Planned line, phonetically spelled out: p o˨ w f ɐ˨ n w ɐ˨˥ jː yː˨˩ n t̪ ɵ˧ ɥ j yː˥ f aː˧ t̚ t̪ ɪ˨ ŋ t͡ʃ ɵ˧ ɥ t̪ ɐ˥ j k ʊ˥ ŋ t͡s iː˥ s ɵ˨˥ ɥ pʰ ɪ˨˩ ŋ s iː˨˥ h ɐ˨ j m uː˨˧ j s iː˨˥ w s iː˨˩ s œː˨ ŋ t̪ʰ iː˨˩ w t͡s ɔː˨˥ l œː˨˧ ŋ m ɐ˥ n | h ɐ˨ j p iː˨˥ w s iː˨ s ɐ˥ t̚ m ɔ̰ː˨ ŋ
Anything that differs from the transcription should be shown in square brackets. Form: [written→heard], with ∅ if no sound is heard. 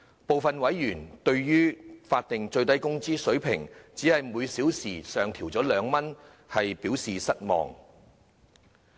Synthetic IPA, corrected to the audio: p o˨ w f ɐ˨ n w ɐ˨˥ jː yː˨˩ n t̪ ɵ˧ ɥ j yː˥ f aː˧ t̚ t̪ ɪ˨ ŋ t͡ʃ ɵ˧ ɥ t̪ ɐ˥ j k ʊ˥ ŋ t͡s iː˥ s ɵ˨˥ ɥ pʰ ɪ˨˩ ŋ [s→t͡s] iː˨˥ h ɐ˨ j m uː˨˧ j s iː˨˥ w s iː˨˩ s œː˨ ŋ t̪ʰ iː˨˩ w t͡s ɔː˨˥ l œː˨˧ ŋ m ɐ˥ n | h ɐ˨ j p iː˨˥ w s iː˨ s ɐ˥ t̚ m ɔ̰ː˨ ŋ